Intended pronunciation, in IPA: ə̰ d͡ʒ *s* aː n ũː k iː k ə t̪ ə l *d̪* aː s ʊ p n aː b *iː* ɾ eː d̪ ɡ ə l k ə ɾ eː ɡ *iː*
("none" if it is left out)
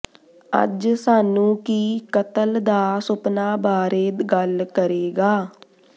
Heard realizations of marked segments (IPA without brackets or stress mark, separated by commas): s, d̪, aː, aː